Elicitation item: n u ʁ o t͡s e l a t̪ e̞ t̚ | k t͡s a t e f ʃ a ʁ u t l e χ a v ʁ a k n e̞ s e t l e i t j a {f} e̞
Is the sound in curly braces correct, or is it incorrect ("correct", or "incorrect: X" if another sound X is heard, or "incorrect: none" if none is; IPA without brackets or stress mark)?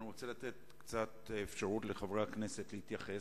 incorrect: χ